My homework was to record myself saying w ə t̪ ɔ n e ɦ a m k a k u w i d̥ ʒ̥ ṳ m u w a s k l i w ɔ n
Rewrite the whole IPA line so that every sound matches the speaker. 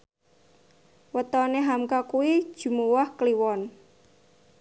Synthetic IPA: w ə t̪ ɔ n e ɦ a m k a k u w i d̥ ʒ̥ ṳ m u w a h k l i w ɔ n